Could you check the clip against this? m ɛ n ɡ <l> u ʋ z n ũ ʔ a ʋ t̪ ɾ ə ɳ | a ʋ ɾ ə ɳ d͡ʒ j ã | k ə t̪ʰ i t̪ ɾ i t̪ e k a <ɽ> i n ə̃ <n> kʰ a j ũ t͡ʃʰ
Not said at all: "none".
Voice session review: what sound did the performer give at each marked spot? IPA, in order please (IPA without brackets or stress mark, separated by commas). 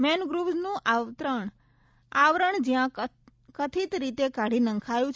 ɾ, ɽ, ŋ